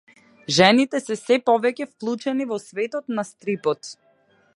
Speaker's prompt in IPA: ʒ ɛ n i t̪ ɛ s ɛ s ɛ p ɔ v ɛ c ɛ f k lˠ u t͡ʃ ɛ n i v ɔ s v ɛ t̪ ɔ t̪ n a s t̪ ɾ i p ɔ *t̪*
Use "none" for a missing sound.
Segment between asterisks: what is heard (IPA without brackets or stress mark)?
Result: t̪